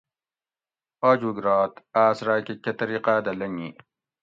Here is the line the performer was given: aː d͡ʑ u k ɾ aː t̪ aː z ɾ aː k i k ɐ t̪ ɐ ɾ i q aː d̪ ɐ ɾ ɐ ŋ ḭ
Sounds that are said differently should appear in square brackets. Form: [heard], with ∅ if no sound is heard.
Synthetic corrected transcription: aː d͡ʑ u [ɡ] ɾ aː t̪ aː [s] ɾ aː k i k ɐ t̪ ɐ ɾ i q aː d̪ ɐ [l] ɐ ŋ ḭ